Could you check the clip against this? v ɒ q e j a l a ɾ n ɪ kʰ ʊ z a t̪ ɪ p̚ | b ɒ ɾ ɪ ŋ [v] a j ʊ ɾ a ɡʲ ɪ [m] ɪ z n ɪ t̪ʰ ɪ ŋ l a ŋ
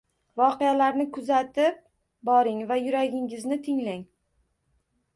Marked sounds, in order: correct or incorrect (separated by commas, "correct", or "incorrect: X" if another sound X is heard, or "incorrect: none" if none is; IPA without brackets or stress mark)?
correct, incorrect: ŋ